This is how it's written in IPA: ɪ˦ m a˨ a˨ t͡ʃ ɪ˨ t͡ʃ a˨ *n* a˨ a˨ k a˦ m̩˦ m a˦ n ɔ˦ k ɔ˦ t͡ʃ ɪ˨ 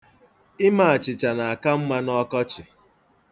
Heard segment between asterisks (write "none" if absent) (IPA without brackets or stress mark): n